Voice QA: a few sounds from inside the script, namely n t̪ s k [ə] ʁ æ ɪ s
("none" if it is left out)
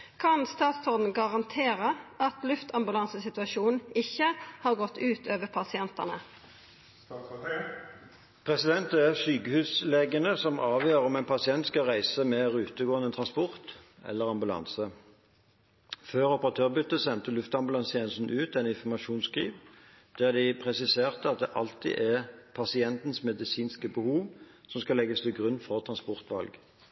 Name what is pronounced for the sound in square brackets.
ɑ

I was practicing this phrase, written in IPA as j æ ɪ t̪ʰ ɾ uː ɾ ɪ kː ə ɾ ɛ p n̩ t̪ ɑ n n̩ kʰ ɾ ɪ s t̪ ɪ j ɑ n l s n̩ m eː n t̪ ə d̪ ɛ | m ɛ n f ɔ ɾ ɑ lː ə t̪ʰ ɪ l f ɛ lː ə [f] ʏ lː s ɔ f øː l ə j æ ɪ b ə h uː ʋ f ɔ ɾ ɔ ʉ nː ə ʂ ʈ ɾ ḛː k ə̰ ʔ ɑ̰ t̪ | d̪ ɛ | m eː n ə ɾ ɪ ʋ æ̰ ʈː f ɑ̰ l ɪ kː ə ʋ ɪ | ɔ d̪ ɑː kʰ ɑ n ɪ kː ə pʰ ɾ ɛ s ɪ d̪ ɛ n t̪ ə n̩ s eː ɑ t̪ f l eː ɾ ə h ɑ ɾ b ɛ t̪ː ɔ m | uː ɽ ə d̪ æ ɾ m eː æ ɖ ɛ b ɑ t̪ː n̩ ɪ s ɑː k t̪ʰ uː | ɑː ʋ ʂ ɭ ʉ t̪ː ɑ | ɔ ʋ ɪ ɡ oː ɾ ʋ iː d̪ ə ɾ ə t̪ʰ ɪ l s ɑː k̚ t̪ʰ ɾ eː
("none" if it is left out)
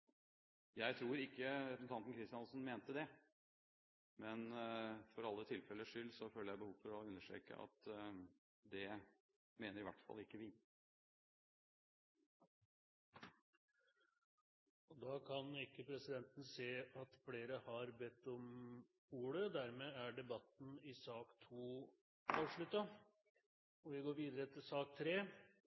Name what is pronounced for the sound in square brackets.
ʂ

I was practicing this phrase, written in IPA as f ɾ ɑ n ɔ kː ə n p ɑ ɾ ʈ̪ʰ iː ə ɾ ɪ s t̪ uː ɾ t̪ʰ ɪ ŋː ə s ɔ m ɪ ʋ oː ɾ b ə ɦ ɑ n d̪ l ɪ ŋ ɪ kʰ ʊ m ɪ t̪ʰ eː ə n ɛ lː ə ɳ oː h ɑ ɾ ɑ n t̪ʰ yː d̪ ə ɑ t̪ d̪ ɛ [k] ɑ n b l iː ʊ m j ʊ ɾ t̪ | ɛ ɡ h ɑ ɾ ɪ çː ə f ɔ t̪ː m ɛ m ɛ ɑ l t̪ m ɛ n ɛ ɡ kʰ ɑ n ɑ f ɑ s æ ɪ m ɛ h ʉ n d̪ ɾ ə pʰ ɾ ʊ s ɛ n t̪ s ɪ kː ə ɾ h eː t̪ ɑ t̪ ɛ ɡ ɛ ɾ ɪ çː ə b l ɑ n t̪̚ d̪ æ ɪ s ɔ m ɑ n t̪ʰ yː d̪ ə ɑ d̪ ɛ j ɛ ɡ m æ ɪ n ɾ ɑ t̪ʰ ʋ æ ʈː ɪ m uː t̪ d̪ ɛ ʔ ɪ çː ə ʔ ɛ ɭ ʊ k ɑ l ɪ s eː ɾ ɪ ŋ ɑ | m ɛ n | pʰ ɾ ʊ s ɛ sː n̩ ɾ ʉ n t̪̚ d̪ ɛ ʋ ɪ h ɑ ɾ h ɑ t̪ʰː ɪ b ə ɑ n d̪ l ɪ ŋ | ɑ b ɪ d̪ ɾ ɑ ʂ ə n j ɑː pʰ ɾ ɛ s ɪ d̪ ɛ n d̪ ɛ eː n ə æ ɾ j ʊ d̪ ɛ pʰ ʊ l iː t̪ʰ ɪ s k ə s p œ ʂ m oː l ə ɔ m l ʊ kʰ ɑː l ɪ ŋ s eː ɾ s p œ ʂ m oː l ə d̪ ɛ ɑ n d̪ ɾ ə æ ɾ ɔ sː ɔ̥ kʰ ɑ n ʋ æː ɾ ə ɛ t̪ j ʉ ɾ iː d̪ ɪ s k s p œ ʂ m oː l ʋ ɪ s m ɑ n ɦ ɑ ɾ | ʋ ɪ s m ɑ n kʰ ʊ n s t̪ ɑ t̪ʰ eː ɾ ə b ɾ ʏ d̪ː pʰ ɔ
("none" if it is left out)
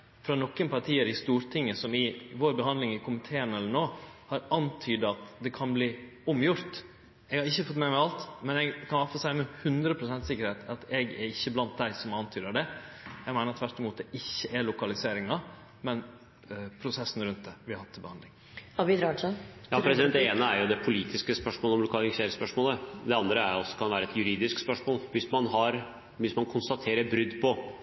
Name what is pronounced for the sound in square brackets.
kʰ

